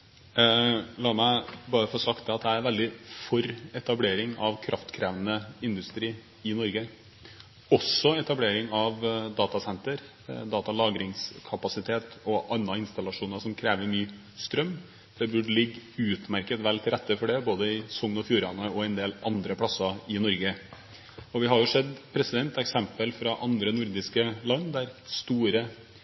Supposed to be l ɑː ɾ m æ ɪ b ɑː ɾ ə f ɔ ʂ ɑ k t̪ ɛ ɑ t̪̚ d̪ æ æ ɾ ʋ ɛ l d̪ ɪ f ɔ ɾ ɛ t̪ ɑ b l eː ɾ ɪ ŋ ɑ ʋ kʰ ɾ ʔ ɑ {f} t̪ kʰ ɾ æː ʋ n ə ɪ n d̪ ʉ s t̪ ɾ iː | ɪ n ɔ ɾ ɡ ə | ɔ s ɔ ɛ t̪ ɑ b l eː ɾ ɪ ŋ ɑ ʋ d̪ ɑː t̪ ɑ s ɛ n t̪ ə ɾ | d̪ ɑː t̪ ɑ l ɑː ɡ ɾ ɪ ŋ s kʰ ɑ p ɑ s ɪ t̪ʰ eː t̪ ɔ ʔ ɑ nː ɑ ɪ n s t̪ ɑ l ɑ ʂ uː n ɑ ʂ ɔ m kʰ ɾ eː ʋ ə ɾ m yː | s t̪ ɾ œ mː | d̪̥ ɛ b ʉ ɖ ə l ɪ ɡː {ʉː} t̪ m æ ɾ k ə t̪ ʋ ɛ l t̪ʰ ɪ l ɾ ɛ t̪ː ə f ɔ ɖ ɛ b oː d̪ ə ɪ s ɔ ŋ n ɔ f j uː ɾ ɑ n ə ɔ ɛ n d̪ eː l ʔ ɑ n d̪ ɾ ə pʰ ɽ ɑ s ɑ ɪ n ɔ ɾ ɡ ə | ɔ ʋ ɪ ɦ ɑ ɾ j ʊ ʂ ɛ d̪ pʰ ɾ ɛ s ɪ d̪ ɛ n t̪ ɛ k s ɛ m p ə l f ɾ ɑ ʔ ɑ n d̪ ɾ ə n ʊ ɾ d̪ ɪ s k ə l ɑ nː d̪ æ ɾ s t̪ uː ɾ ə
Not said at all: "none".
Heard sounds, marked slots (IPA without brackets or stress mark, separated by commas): f, ʉː